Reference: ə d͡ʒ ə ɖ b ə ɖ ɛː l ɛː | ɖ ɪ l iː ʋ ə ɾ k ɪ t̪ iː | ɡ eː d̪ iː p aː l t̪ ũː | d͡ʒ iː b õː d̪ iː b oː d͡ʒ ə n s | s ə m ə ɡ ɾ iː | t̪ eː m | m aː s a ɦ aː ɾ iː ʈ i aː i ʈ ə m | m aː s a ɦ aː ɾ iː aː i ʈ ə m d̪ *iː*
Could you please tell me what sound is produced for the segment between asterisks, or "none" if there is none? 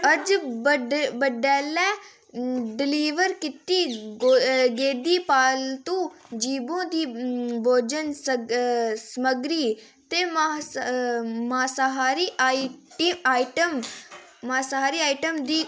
iː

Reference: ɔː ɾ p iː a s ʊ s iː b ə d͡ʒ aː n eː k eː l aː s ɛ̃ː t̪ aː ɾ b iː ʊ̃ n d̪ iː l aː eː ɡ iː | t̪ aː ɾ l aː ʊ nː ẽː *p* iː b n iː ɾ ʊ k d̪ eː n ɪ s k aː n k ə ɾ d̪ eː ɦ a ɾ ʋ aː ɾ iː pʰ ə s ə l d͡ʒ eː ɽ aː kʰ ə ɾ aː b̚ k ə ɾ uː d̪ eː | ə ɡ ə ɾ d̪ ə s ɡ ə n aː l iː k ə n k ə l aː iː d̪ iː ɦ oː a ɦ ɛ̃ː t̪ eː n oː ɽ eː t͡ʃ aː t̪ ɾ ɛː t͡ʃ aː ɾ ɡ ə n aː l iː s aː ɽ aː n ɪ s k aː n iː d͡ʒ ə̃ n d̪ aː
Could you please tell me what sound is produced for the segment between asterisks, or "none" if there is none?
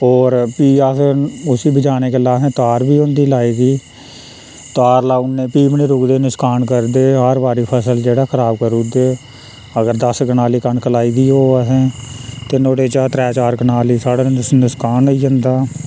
p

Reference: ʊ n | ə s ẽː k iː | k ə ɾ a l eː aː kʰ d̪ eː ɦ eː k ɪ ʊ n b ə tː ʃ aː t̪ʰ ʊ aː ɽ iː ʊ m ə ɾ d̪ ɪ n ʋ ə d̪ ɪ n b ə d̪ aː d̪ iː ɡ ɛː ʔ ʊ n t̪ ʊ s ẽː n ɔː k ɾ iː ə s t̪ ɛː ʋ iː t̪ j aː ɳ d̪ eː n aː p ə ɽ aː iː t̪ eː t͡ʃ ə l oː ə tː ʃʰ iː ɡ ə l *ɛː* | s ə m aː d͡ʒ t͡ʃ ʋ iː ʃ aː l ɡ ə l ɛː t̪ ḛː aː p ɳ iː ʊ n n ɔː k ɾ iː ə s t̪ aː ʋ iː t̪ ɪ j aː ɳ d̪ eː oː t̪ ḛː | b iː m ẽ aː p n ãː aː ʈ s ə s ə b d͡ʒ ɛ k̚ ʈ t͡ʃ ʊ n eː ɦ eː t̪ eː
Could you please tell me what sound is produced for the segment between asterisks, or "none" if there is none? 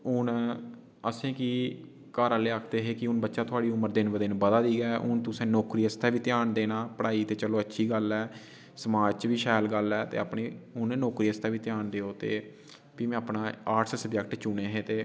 ɛː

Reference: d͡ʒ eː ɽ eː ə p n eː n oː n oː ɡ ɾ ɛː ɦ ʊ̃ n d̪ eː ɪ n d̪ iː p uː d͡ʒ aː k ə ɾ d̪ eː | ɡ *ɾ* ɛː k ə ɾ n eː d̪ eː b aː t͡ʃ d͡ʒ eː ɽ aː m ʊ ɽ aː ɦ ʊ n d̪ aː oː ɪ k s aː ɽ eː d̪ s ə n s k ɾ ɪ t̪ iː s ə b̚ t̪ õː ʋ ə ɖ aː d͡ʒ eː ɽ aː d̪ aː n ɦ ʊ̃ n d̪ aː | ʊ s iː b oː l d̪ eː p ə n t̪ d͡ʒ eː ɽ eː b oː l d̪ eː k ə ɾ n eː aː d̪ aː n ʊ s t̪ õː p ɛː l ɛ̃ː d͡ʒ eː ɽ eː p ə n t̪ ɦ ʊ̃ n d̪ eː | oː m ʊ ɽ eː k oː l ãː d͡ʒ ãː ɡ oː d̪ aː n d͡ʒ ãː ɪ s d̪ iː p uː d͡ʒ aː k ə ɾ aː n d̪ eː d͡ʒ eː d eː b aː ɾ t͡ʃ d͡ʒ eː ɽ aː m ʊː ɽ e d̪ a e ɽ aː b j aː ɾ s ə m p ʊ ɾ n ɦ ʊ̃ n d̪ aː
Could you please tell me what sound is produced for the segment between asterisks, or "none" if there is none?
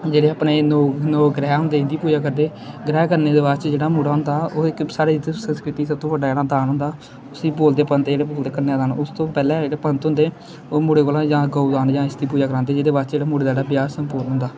ɾ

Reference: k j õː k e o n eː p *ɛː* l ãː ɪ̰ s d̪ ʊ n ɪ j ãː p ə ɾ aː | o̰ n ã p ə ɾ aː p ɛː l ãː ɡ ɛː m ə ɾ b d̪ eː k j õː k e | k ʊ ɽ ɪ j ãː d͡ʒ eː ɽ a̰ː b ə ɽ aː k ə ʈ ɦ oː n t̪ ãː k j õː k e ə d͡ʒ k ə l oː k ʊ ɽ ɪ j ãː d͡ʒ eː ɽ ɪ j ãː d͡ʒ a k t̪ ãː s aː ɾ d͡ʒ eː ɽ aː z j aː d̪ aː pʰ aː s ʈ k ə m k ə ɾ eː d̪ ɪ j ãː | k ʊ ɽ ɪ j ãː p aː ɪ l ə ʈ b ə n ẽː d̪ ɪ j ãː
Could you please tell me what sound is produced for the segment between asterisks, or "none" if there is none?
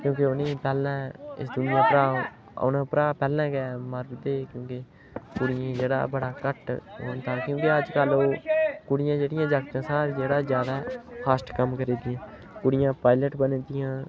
ɛː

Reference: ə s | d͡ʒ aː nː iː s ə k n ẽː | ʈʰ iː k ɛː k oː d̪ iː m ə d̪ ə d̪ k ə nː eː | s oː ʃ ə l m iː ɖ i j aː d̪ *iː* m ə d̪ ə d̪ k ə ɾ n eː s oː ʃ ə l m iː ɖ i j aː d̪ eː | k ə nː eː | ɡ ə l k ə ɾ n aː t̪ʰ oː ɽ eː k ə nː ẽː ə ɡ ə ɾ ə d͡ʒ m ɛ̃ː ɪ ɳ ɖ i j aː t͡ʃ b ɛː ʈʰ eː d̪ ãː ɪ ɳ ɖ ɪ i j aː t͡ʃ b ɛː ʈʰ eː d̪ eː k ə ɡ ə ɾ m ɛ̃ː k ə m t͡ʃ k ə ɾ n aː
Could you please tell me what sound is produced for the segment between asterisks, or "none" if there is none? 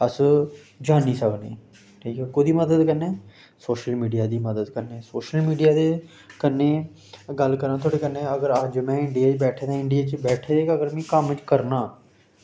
iː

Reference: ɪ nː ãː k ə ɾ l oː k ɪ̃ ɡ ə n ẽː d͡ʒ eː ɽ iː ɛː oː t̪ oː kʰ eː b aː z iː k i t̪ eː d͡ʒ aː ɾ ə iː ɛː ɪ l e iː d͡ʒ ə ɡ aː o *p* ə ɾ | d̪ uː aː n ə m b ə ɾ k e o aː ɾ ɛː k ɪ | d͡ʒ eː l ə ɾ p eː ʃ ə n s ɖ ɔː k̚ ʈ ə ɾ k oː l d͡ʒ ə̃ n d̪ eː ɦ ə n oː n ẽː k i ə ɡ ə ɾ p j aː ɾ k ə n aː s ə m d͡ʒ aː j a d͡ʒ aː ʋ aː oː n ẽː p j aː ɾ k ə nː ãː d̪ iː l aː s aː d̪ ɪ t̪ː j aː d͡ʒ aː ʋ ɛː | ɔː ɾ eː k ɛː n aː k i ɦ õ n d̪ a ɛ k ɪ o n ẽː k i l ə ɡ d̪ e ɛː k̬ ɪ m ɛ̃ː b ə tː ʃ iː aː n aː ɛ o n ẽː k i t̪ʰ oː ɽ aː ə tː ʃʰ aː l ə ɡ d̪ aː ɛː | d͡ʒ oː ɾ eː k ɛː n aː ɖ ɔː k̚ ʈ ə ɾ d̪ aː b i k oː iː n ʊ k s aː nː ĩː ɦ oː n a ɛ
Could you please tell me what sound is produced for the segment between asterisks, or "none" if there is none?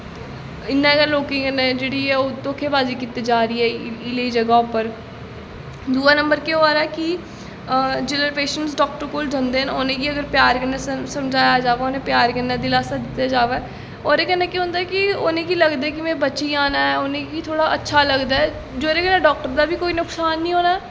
p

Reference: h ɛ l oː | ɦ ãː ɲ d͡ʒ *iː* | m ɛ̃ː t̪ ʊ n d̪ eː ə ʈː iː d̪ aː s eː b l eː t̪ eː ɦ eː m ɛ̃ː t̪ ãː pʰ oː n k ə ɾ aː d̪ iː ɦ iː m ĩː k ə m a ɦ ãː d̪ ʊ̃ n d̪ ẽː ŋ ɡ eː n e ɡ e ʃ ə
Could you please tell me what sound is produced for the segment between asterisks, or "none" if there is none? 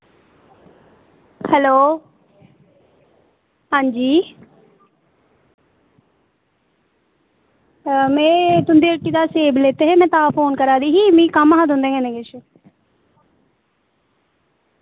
iː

